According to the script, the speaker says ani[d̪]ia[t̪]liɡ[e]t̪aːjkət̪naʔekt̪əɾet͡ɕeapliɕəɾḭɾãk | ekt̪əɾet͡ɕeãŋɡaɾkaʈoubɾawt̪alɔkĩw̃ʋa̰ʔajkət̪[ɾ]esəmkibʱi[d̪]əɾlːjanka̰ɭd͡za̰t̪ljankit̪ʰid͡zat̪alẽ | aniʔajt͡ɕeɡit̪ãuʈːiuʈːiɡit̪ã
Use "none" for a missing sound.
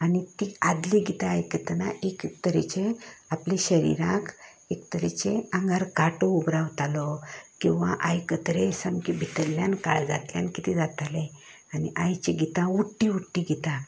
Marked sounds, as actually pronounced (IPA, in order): t̪, d̪, i, ɾ, t̪

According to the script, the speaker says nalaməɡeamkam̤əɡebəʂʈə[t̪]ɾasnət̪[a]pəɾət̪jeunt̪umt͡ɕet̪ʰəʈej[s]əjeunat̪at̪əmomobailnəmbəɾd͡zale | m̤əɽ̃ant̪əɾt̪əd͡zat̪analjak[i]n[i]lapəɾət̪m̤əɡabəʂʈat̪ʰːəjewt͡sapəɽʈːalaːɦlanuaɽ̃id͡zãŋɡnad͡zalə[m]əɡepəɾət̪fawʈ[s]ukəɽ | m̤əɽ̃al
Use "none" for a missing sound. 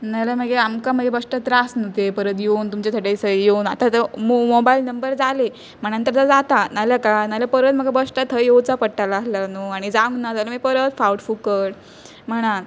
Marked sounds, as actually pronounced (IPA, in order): t̪, e, s, a, a, m, f

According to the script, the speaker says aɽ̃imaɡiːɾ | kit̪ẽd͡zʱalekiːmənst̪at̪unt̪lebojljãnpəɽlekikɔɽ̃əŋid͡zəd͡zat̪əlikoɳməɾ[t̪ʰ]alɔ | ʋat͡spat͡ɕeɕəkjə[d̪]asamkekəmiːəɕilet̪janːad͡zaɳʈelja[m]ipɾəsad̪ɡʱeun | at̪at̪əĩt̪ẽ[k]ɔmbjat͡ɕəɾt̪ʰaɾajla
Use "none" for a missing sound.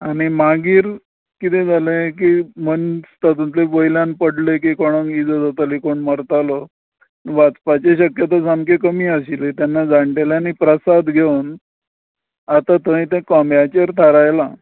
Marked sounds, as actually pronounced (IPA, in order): t̪, t̪, n, k

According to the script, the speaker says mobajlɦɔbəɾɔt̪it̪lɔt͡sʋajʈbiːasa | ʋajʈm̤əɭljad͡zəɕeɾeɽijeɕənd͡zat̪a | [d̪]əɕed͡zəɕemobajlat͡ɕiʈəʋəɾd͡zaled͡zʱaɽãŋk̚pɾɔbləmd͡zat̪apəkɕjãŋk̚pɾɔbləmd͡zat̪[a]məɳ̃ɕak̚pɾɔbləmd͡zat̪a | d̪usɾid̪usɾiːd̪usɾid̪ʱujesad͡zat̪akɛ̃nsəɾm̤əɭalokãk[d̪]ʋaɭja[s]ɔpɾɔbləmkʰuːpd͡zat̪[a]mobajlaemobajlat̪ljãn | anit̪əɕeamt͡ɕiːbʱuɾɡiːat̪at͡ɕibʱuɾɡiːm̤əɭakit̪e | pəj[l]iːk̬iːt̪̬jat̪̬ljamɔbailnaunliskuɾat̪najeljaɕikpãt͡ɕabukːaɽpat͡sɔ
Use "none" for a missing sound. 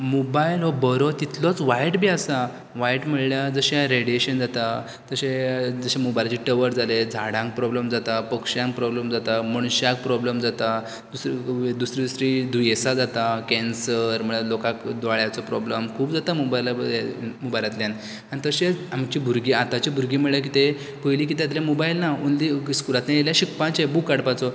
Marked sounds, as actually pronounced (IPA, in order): t̪, a, d̪, t͡s, a, l

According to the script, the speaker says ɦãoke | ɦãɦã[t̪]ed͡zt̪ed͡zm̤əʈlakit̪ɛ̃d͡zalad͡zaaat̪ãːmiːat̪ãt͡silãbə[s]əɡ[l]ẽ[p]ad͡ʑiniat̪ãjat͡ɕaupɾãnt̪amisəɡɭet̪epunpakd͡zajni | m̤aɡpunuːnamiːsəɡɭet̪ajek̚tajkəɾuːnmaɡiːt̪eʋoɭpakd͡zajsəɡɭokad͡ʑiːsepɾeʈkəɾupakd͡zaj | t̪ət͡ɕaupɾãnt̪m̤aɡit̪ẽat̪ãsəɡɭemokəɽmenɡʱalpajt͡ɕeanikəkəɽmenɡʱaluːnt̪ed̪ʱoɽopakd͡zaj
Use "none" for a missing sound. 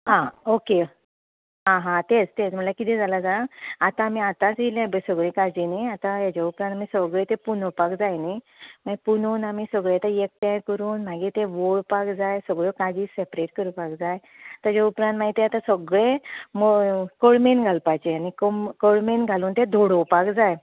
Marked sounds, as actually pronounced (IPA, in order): t̪, s, ɭ, k

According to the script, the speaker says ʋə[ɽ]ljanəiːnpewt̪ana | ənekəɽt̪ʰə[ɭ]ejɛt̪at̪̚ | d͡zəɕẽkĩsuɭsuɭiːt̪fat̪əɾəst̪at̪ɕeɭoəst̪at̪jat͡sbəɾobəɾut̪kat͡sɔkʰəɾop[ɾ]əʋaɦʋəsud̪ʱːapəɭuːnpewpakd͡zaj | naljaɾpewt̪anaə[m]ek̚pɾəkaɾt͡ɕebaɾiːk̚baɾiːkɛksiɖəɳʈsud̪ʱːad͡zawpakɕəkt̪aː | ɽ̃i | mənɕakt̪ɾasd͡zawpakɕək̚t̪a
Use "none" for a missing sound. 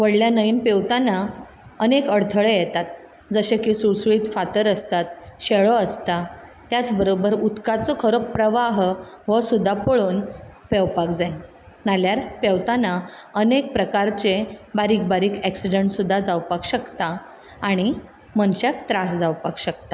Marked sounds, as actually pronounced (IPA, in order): ɽ, ɭ, ɾ, n

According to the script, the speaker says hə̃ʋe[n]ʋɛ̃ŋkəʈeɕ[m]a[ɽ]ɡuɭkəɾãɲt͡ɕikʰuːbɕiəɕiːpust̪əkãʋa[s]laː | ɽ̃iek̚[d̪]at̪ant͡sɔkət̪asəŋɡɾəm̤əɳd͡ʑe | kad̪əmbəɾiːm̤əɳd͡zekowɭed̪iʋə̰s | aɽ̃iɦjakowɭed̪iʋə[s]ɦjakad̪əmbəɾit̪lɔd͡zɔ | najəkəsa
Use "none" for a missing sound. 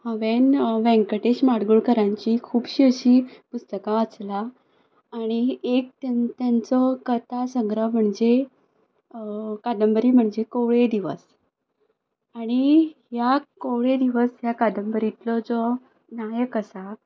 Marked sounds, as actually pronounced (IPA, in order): n, m, ɽ, t͡s, t̪, s

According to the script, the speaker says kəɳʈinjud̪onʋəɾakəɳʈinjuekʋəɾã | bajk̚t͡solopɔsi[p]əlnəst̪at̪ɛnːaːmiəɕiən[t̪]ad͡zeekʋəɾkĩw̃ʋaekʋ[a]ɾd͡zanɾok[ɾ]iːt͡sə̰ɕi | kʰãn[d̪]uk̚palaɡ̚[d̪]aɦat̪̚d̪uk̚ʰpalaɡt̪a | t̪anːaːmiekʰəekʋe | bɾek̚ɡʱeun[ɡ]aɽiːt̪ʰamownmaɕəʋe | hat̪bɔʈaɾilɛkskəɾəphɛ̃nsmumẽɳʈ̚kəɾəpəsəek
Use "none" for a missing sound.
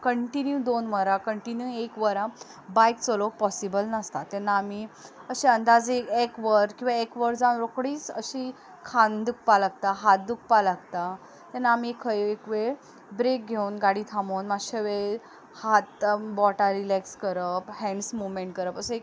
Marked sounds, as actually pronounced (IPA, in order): b, d̪, ə, ɽ, d̪, t̪, ɡ

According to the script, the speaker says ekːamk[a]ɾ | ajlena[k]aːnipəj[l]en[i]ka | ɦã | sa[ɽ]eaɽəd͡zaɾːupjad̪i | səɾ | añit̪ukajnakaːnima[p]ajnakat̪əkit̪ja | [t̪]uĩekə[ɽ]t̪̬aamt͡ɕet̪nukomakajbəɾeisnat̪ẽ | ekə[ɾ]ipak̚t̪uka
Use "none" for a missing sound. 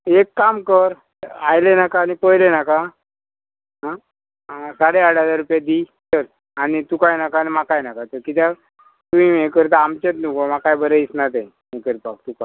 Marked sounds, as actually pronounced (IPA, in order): ə, k, l, a, ɽ, k, t̪, ɾ, ɾ

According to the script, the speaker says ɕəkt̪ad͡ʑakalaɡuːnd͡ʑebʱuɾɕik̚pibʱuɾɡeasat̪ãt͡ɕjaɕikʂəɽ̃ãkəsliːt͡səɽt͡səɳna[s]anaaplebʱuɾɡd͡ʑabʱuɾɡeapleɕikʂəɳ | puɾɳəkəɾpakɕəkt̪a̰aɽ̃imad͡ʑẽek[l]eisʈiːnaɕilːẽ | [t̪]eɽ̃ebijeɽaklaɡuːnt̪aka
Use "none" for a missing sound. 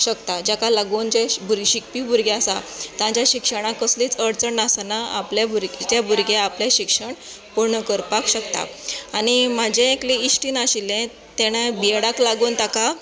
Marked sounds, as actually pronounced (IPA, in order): s, l, t̪

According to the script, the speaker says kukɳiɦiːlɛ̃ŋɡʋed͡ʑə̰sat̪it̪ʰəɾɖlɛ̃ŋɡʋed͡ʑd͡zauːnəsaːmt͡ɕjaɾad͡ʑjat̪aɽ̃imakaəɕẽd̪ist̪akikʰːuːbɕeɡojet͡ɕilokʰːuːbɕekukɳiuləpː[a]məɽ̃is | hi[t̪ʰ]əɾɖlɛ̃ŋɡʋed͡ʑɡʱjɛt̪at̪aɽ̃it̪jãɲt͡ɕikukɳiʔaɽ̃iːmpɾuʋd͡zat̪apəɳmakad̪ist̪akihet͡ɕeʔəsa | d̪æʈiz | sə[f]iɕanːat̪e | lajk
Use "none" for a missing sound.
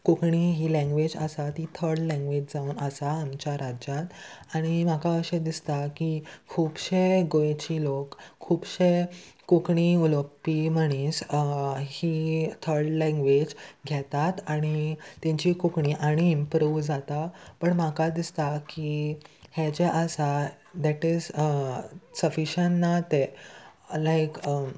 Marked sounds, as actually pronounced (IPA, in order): i, t̪ʰ, f

